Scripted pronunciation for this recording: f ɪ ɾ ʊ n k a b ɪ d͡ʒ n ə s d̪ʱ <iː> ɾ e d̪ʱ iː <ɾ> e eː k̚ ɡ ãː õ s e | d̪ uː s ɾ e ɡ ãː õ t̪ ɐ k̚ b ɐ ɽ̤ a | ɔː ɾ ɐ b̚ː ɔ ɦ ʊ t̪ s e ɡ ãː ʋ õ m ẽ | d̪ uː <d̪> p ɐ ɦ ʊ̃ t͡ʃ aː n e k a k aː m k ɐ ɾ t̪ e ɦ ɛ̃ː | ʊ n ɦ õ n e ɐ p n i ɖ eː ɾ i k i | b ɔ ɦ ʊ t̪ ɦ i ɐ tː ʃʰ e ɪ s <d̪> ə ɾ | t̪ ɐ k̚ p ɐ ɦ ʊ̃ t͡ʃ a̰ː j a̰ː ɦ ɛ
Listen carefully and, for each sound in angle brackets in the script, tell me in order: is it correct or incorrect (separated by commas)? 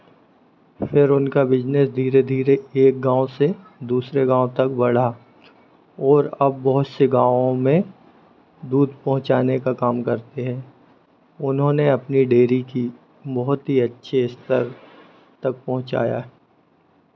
correct, correct, correct, incorrect